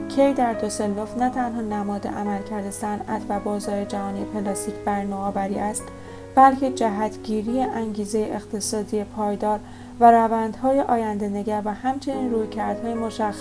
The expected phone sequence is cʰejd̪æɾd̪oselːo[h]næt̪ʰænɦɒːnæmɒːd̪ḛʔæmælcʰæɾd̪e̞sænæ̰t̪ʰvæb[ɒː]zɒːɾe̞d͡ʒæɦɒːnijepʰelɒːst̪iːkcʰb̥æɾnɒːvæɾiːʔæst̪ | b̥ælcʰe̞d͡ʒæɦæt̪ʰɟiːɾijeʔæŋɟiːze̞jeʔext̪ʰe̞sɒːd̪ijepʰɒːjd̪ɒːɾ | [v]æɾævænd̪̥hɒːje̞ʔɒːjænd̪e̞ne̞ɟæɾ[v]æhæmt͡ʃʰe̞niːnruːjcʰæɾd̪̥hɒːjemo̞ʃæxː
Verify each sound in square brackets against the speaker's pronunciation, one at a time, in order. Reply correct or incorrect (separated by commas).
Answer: incorrect, correct, correct, correct